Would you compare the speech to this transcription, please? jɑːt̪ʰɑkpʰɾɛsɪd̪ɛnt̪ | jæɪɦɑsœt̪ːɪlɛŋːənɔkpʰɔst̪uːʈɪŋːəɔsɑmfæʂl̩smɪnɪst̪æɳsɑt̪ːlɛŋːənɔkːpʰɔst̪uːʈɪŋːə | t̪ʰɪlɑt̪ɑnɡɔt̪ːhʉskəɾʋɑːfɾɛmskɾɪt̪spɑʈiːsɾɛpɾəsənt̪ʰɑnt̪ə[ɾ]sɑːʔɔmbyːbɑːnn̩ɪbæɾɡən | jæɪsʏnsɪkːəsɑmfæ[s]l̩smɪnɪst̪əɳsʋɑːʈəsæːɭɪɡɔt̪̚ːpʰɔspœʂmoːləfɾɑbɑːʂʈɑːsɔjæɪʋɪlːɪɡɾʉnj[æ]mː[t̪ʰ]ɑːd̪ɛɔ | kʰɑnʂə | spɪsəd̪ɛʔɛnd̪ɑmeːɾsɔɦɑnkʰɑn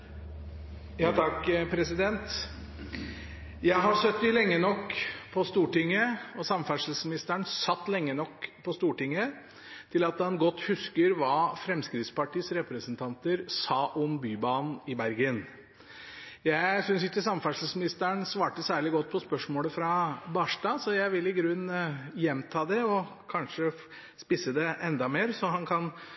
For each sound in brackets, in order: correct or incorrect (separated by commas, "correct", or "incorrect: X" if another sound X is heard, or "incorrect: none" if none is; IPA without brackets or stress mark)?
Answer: correct, incorrect: ʂ, incorrect: ɛ, correct